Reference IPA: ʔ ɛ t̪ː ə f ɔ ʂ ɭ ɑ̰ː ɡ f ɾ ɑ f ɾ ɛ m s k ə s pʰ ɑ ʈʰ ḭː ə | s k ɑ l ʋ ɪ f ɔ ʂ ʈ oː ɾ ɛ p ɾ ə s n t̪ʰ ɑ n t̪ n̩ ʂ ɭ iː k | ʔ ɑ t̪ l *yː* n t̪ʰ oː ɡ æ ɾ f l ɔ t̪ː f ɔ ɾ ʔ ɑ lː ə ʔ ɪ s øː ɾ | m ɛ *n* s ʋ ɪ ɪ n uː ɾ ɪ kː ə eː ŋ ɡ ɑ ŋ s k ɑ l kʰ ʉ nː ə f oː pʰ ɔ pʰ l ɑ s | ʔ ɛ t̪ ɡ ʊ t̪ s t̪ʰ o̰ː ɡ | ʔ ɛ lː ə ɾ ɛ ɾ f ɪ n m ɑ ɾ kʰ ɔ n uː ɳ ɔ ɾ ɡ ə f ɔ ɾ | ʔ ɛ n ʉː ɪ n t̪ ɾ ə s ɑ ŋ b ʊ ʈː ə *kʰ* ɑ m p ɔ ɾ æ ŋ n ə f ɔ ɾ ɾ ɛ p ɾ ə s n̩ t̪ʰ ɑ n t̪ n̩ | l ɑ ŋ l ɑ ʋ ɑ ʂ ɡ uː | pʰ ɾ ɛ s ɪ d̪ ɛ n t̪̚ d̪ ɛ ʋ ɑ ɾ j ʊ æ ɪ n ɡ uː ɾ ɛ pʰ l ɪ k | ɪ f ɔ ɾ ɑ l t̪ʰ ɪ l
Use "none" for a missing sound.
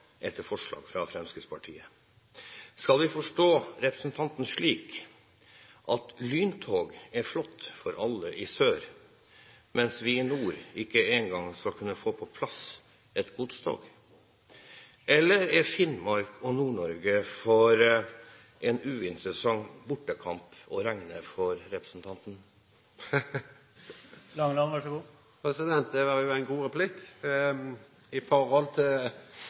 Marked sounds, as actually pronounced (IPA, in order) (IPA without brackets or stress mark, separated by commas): yː, n, kʰ